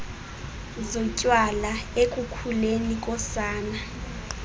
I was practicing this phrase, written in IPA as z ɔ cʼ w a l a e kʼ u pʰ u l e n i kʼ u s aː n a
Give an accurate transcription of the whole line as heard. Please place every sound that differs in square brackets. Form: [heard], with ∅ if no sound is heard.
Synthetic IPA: z ɔ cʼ w a l a e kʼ u [kʰ] u l e n i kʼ [ɔ] s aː n a